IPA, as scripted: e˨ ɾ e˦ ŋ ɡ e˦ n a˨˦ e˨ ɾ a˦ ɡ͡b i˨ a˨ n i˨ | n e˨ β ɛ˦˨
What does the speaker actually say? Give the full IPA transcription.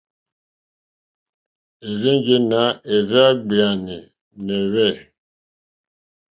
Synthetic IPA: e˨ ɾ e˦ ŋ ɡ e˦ n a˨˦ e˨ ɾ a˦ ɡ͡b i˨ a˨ n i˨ | n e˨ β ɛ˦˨